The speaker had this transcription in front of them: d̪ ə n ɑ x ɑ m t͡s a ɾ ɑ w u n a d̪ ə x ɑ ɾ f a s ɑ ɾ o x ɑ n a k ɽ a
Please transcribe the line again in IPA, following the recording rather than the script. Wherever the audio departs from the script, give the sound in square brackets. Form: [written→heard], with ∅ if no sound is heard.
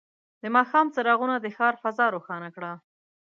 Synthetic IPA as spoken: d̪ ə [n→m] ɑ x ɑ m t͡s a ɾ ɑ [w→ɣ] u n a d̪ ə x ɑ ɾ f a [s→z] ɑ ɾ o x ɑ n a k ɽ a